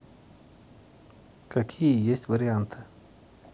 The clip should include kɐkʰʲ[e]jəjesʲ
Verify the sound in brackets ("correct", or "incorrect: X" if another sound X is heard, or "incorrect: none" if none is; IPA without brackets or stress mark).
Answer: incorrect: i